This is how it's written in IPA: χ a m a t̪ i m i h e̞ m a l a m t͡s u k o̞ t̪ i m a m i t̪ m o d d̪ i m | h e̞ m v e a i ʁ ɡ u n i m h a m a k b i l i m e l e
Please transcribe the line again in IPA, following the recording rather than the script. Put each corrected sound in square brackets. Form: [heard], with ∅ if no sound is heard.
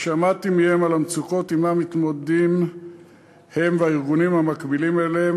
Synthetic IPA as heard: [ʃ] a m a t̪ i m i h e̞ m a l a m t͡s u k o̞ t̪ i m a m i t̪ m o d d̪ i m | h e̞ m v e a i ʁ ɡ u n i m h a m a k b i l i m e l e